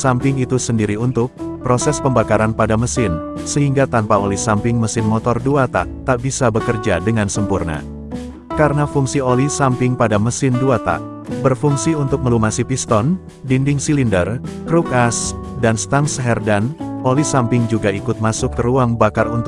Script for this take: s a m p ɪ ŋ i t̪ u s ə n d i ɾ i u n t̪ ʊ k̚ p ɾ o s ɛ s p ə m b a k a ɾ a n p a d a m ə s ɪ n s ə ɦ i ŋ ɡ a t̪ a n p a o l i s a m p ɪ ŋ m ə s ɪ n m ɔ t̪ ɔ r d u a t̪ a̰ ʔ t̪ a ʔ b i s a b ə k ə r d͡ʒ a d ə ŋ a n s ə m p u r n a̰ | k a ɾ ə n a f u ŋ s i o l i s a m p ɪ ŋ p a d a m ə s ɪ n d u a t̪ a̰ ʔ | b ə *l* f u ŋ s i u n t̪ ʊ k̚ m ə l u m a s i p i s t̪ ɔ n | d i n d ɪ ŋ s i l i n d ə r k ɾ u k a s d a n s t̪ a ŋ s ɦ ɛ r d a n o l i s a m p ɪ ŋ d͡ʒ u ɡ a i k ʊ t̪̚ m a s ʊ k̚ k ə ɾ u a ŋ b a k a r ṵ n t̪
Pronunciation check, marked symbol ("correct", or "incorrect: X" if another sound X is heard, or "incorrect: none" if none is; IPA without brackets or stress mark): incorrect: r